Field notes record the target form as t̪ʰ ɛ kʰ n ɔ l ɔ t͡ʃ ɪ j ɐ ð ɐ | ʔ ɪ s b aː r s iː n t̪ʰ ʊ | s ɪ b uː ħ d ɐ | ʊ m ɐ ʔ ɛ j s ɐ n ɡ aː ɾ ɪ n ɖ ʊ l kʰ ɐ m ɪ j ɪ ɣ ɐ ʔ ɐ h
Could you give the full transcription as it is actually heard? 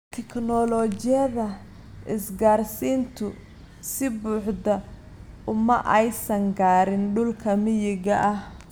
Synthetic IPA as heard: t̪ʰ ɛ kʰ n ɔ l ɔ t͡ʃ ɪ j ɐ ð ɐ | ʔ ɪ s ɡ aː r s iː n t̪ʰ ʊ | s ɪ b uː ħ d ɐ | ʊ m ɐ ʔ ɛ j s ɐ ŋ ɡ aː ɾ ɪ n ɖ ʊ l kʰ ɐ m ɪ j ɪ ɣ ɐ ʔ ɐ h